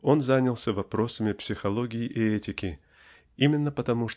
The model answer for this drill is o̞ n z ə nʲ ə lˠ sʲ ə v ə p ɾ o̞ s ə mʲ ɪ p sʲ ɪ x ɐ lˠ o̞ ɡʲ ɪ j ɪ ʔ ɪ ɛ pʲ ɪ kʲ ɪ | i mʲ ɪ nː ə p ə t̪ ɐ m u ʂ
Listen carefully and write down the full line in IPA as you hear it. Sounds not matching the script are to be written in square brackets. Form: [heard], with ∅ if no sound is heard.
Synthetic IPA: o̞ n z [a] nʲ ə lˠ sʲ ə v [ɐ] p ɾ o̞ s ə mʲ ɪ p sʲ ɪ x ɐ lˠ o̞ ɡʲ ɪ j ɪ ʔ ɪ ɛ [tʲ] ɪ kʲ ɪ | i mʲ ɪ nː ə p ə t̪ ɐ m u ʂ